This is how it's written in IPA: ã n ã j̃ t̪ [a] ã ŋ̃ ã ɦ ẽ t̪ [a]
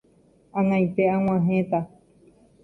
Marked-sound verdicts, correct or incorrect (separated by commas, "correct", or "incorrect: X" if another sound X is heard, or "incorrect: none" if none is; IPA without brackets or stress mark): incorrect: e, correct